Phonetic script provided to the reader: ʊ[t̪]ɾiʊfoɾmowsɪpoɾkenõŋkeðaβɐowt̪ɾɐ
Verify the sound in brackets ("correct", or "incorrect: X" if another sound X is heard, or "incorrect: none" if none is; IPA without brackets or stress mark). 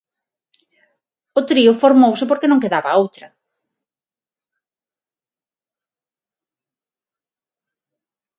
correct